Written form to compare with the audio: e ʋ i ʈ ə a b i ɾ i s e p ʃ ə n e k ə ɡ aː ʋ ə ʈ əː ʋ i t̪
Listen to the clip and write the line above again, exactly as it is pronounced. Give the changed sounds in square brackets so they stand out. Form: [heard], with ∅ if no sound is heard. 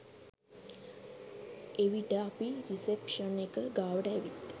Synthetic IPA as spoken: e ʋ i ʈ ə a [p] i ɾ i s e p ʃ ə n e k ə ɡ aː ʋ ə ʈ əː ʋ i t̪